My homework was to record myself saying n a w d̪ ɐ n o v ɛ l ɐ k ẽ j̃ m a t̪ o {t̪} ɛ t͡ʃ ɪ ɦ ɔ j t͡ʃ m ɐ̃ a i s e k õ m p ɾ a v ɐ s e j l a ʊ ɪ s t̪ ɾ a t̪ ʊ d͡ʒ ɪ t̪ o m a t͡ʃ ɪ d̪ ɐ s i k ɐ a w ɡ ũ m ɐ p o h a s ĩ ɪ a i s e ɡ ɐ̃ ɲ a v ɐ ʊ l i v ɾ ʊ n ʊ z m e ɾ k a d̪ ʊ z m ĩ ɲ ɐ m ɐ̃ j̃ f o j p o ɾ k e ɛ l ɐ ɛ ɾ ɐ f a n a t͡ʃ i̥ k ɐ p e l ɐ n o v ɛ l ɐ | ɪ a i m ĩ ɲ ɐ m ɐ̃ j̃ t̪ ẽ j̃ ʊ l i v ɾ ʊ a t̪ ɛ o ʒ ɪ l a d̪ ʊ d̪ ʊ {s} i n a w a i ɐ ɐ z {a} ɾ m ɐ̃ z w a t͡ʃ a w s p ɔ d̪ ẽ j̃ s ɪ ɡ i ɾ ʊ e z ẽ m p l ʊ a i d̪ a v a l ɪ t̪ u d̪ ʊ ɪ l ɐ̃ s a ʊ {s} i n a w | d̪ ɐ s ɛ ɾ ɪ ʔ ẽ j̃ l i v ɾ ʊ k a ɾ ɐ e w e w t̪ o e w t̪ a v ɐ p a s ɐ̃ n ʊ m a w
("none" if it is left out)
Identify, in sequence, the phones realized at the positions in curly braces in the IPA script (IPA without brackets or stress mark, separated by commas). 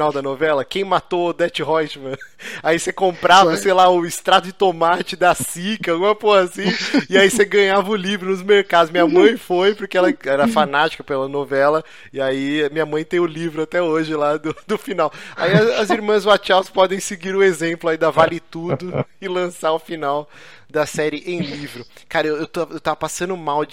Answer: d̪, f, i, f